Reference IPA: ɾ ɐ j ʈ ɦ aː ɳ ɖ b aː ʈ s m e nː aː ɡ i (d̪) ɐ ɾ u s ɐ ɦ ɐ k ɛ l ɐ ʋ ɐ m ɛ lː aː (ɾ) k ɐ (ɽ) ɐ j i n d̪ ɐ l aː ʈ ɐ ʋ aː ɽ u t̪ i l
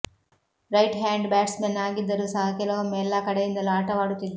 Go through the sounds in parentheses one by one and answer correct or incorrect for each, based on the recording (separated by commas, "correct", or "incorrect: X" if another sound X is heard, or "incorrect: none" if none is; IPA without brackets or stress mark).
incorrect: d̪ː, incorrect: none, correct